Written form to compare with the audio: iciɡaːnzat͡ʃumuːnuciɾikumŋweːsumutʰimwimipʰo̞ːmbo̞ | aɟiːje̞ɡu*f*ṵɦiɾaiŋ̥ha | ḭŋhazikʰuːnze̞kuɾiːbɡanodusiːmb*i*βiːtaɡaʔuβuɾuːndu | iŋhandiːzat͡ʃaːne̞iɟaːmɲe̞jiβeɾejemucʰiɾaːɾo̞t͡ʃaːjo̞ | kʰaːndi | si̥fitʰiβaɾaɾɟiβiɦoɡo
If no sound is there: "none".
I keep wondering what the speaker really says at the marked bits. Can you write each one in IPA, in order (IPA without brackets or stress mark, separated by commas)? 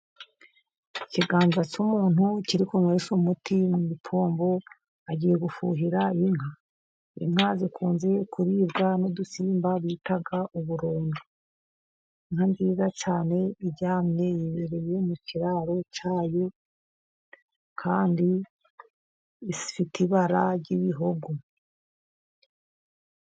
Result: f, a